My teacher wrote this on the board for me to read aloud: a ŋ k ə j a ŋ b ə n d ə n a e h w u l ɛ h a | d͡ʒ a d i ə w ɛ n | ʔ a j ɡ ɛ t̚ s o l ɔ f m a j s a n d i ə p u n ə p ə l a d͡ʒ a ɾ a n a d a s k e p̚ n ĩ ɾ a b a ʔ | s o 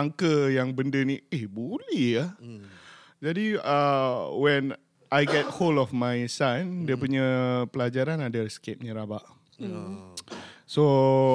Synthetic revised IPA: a ŋ k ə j a ŋ b ə n d ə n i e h b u l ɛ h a | d͡ʒ a d i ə w ɛ n | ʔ a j ɡ ɛ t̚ h o l ɔ f m a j s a n d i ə p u ɲ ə p ə l a d͡ʒ a ɾ a n a d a s k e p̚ n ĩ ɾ a b a ʔ | s o